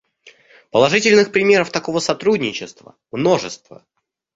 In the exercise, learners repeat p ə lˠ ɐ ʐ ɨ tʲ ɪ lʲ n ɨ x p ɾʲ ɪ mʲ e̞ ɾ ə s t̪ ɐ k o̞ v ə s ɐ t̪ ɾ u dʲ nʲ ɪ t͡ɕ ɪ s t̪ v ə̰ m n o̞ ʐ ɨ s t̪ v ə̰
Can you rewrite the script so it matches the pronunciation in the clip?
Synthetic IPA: p ə lˠ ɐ ʐ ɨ tʲ ɪ lʲ n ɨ x p ɾʲ ɪ mʲ e̞ ɾ ə f t̪ ɐ k o̞ v ə s ɐ t̪ ɾ u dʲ nʲ ɪ t͡ɕ ɪ s t̪ v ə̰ m n o̞ ʐ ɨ s t̪ v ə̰